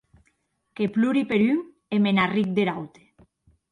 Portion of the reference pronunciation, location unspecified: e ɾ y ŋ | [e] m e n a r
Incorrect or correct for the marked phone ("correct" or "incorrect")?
correct